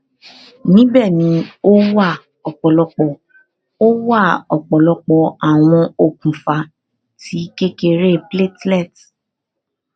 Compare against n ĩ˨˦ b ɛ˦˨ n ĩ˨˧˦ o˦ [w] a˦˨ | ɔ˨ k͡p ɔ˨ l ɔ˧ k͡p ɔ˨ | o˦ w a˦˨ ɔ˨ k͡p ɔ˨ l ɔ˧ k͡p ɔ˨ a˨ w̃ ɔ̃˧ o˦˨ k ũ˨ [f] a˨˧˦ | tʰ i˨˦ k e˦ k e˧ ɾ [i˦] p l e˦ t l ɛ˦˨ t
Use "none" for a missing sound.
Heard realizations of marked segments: w, f, e˦

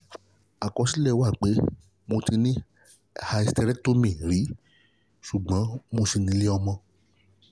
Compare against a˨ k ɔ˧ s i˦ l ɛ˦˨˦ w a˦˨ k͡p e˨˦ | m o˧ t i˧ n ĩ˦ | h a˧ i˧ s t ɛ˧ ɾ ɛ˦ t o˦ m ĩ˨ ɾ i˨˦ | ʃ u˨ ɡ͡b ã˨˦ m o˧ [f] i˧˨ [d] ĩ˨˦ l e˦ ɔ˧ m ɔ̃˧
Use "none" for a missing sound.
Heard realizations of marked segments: s, n

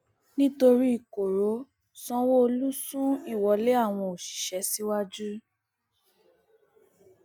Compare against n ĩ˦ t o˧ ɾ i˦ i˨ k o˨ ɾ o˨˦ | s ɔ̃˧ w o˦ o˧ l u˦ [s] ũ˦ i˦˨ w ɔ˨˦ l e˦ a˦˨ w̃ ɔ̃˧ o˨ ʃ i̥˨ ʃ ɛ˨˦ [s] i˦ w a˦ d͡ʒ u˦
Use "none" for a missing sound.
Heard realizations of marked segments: s, s

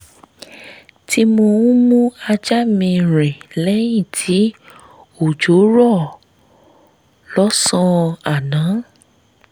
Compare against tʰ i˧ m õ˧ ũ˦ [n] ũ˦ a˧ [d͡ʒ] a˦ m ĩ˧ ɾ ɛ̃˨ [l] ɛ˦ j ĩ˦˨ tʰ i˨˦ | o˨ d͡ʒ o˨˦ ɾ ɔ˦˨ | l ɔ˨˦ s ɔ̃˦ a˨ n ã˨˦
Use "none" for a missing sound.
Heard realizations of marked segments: m, d͡ʒ, l

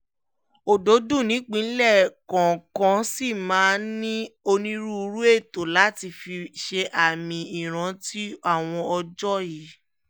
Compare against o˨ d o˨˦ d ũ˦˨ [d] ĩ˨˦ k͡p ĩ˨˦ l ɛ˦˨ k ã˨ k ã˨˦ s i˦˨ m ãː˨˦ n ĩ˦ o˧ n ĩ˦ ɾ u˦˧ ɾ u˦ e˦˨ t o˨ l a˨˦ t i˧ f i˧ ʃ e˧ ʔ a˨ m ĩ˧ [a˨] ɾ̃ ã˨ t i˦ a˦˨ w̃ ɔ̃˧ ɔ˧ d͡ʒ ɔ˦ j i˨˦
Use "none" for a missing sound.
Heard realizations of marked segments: n, i˨

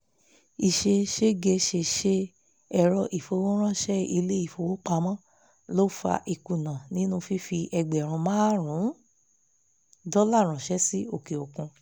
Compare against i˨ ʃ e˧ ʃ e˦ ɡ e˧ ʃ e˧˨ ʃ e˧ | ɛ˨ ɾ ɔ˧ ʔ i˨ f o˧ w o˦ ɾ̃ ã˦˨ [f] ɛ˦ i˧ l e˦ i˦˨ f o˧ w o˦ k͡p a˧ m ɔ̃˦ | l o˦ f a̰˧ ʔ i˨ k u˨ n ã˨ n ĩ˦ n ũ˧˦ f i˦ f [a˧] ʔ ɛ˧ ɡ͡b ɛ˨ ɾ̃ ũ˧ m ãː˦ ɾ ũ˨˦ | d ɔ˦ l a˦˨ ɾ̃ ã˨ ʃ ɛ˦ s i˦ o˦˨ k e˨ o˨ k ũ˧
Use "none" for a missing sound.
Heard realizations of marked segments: ʃ, i˧

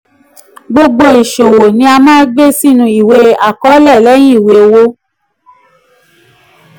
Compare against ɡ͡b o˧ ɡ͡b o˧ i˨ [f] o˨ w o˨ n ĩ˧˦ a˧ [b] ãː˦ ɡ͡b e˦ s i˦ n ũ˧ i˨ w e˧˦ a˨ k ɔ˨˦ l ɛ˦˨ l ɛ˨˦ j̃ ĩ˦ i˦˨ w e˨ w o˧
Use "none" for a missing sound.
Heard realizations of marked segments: ʃ, m

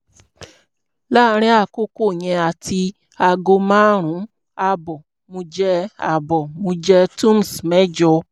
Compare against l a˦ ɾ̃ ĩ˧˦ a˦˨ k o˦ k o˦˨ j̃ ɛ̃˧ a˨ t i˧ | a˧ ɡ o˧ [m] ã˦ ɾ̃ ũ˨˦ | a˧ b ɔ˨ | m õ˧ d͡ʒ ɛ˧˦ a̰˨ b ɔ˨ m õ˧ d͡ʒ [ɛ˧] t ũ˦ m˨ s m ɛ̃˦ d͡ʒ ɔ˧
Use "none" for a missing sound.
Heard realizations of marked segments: m, ɛ˧

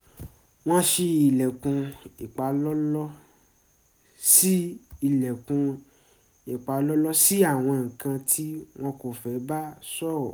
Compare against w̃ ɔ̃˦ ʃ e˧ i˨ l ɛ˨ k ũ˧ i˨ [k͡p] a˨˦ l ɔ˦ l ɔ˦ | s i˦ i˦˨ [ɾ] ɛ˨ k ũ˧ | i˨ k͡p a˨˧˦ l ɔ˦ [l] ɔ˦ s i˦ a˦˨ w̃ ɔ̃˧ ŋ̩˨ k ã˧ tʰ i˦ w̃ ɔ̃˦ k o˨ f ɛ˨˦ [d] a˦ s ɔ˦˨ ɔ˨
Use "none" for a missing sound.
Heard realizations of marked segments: k͡p, l, l, b

